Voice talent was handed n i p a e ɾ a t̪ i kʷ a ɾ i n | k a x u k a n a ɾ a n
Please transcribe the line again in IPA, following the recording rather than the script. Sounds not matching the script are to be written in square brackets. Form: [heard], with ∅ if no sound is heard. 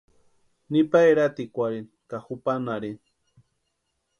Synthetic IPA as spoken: n i p a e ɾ a t̪ i kʷ a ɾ i n | k a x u [p] a n a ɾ [i] n